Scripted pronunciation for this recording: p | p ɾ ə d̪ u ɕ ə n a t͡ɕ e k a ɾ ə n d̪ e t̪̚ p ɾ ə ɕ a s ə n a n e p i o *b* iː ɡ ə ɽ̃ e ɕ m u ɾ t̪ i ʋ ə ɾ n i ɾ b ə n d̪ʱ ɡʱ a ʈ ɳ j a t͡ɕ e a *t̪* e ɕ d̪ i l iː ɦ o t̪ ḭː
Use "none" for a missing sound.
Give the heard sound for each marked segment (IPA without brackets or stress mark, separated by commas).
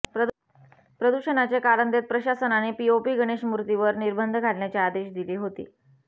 p, d̪